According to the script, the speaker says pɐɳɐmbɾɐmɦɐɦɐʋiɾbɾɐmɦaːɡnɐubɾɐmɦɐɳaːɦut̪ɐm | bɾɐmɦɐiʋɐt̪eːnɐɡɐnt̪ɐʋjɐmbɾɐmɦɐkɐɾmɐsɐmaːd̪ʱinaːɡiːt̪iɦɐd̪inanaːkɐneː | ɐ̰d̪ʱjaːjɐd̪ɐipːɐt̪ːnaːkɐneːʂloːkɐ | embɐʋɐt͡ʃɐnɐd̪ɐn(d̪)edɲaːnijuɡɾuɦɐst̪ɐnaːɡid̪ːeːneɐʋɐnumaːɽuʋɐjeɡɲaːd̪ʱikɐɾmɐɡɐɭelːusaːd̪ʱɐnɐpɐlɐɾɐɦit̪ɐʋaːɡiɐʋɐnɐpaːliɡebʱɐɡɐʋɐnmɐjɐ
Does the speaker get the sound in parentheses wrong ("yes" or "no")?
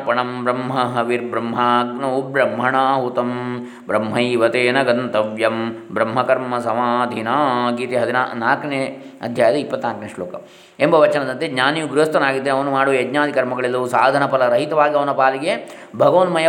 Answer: yes